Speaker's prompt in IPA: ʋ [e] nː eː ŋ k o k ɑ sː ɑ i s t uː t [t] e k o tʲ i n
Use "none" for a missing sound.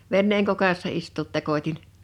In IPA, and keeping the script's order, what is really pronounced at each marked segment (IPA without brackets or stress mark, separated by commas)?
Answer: e, t